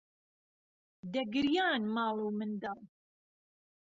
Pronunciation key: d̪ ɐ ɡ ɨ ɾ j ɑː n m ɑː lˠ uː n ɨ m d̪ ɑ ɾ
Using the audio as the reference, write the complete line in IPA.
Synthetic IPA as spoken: d̪ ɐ ɡ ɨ ɾ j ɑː n m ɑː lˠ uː m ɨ n d̪ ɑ l